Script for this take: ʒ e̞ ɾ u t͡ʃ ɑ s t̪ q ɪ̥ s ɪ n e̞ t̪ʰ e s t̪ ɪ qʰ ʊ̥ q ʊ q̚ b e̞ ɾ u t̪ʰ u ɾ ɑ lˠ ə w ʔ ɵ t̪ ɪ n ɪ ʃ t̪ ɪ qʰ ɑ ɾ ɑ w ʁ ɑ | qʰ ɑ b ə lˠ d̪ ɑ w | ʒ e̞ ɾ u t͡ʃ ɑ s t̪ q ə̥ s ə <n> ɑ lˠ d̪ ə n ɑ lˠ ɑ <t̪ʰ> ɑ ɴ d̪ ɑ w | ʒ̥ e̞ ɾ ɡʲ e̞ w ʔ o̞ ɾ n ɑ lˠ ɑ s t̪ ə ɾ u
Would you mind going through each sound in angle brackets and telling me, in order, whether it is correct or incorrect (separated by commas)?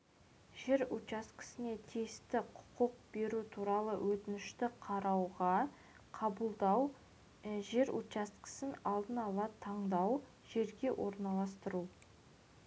correct, correct